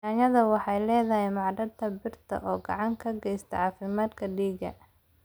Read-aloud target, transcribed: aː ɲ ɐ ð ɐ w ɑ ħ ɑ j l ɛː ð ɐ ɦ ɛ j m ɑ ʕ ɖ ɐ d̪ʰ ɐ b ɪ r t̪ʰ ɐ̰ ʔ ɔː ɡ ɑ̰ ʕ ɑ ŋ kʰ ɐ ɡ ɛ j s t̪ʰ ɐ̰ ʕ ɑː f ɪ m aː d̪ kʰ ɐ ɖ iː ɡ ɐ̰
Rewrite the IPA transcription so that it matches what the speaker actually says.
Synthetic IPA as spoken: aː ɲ ɐ ð ɐ w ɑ ħ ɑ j l ɛː ð ɐ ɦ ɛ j m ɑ ʕ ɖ ɐ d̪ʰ ɐ b ɪ r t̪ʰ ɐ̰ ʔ ɔː ɡ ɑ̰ ʕ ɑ ŋ kʰ ɐ ɡ ɛ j s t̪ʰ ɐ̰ ʕ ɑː f ɪ m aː d̪ kʰ ɐ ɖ iː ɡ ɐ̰

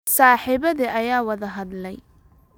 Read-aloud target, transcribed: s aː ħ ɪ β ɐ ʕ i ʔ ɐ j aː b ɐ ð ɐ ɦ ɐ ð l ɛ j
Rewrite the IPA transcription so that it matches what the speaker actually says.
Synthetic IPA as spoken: s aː ħ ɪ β ɐ ð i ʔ ɐ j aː w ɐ ð ɐ ɦ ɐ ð l ɛ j

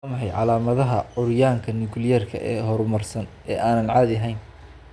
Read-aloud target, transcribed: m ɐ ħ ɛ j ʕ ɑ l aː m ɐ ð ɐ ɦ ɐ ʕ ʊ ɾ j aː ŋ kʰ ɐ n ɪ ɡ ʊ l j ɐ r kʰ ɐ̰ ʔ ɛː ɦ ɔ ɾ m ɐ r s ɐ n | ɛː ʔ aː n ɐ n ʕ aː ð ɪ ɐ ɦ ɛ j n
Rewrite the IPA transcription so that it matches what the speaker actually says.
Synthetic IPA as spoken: m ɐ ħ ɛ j ʕ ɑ l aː m ɐ ð ɐ ɦ ɐ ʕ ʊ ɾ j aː ŋ kʰ ɐ n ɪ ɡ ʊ l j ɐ r kʰ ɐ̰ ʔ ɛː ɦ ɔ ɾ m ɐ r s ɐ n | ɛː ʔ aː n ɐ n ʕ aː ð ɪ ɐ ɦ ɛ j n

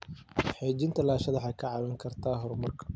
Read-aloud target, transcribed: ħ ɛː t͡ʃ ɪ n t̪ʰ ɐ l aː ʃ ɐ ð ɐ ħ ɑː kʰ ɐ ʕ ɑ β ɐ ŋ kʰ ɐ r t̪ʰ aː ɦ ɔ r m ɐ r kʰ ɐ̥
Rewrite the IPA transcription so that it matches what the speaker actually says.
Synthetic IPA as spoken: ħ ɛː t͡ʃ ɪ n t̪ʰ ɐ l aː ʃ ɐ ð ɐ ħ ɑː kʰ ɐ ʕ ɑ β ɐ ŋ kʰ ɐ r t̪ʰ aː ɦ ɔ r m ɐ r kʰ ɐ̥

